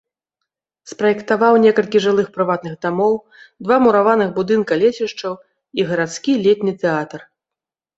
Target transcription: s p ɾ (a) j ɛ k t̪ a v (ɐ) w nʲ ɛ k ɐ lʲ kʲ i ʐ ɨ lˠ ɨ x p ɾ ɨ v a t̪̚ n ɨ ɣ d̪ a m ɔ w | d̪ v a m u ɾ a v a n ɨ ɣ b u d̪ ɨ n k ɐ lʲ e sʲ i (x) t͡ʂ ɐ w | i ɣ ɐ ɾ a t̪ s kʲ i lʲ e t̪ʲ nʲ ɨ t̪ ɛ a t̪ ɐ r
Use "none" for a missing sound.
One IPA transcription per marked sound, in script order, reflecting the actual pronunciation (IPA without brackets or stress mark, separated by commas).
ɐ, a, ʂ